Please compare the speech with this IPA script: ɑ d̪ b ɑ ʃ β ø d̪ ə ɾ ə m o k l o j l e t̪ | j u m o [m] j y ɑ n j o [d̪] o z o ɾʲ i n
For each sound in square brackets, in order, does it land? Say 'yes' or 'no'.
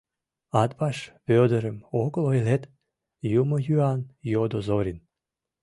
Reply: no, yes

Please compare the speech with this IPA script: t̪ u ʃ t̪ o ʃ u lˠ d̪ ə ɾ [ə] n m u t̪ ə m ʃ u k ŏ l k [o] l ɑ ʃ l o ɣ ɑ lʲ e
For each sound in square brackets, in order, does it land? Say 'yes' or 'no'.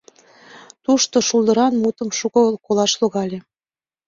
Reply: no, yes

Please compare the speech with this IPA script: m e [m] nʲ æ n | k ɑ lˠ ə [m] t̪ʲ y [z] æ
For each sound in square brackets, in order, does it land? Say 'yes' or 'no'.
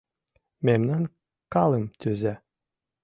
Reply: yes, yes, yes

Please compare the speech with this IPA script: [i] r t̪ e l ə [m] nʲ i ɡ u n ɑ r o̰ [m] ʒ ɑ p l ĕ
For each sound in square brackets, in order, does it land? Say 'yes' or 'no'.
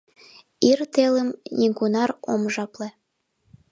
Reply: yes, yes, yes

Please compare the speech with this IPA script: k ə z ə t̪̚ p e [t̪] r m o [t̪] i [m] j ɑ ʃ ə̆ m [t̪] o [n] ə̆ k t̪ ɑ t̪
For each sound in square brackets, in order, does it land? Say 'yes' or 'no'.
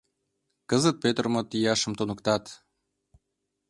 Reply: yes, yes, no, yes, yes

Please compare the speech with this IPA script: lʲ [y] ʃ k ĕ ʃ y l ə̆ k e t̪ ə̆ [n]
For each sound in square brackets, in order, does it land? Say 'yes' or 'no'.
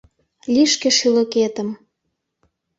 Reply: no, no

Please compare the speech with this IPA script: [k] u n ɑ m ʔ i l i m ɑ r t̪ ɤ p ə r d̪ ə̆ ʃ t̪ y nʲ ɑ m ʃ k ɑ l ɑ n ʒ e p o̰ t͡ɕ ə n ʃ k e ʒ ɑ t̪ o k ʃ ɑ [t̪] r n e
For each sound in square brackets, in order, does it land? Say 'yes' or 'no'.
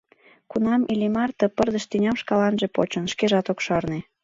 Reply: yes, no

